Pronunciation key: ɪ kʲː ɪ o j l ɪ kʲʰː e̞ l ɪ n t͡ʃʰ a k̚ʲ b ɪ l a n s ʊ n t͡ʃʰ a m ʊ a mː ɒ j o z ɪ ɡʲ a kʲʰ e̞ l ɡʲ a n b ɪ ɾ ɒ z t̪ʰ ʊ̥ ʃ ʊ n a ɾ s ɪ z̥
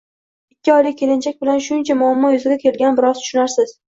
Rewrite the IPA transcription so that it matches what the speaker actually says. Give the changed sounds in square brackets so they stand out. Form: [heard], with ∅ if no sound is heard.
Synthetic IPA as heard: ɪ kʲː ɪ [ɒ] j l ɪ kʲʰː e̞ l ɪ n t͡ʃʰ a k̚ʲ b ɪ l a n [ʃ] ʊ n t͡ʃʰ a m ʊ a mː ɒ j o z ɪ ɡʲ a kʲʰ e̞ l ɡʲ a n b ɪ ɾ ɒ z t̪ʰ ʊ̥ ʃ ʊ n a ɾ s ɪ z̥